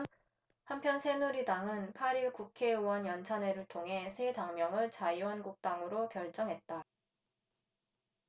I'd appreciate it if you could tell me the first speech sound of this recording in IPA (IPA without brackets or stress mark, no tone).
h